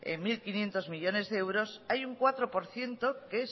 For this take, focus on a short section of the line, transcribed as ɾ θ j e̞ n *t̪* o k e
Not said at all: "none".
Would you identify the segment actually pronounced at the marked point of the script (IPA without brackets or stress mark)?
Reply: t̪